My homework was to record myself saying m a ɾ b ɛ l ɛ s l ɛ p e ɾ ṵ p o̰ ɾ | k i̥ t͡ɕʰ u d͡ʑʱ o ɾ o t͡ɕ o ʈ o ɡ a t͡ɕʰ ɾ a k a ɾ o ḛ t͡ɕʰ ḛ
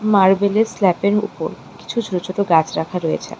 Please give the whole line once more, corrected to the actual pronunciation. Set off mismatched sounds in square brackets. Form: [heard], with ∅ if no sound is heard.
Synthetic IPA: m a ɾ b [e] l [e] s l ɛ p e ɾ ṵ p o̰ ɾ | k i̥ t͡ɕʰ u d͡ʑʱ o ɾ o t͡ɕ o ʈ o ɡ a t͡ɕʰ ɾ a [kʰ] a ɾ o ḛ t͡ɕʰ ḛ